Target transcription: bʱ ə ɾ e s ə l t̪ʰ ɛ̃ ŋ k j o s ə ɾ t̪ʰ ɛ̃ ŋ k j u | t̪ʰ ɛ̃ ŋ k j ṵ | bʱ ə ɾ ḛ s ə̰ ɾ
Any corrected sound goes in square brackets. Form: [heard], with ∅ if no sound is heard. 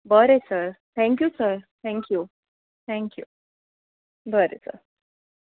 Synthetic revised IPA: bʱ ə ɾ e s ə [ɾ] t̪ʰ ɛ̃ ŋ k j [u] s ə ɾ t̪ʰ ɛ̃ ŋ k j u | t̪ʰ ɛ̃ ŋ k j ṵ | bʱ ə ɾ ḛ s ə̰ ɾ